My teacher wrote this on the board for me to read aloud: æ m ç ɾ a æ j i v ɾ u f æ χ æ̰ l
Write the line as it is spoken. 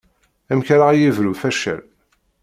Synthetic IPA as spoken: æ m ç ɾ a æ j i v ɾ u f æ ʃ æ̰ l